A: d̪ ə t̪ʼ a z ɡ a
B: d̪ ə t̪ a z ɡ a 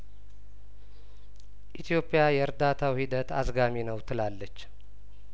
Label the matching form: B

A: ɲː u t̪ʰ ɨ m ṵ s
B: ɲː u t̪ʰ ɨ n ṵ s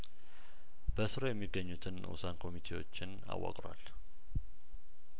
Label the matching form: B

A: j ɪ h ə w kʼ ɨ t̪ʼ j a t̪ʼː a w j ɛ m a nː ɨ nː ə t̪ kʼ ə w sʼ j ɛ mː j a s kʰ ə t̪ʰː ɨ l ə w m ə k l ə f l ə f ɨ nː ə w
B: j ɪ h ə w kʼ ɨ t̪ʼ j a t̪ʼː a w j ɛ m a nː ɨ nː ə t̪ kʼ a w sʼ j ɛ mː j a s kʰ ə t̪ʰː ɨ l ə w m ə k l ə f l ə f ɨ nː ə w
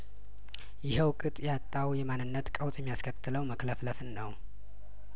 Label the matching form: A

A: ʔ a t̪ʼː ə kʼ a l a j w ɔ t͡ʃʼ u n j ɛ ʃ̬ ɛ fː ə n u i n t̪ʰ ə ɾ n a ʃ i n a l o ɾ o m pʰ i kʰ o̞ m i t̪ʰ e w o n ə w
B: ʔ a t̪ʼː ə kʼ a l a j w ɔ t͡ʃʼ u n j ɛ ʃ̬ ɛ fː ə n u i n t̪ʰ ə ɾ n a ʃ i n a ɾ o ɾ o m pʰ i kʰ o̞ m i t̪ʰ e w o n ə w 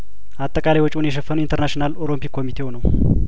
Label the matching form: A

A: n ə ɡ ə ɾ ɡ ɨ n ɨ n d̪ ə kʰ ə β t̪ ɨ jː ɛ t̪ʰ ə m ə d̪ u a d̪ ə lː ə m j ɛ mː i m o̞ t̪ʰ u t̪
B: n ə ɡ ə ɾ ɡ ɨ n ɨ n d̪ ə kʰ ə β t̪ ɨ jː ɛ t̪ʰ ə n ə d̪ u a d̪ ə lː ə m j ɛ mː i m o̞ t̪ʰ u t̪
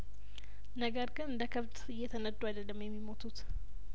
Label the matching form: B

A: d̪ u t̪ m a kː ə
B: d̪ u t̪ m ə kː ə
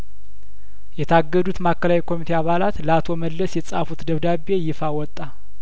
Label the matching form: A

